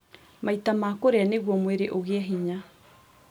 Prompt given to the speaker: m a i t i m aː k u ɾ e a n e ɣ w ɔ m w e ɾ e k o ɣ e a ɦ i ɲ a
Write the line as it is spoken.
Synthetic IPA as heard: m a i t a m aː k o ɾ e a n e ɣ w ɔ m w e ɾ e ʔ o ɣ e a ɦ i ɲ a